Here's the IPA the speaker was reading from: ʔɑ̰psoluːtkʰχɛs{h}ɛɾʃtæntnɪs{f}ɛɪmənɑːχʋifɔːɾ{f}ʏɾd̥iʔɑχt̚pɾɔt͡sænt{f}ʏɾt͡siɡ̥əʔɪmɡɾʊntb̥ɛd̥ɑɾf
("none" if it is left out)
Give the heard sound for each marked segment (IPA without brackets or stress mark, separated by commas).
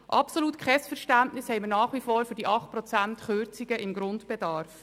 f, h, f, χ